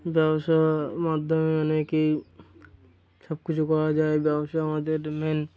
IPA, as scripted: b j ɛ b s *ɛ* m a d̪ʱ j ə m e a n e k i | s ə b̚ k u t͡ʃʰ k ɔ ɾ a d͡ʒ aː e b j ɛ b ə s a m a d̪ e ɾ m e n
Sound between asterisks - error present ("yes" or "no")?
yes